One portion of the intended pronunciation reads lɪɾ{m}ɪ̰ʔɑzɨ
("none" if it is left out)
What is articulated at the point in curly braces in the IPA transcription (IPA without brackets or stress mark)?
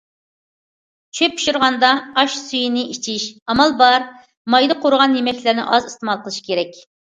n